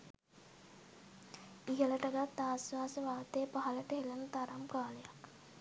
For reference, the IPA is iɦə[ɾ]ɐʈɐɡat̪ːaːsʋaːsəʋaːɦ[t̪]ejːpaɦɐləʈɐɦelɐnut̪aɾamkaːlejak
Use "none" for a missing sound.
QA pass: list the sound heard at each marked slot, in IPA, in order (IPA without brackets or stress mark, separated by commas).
l, t̪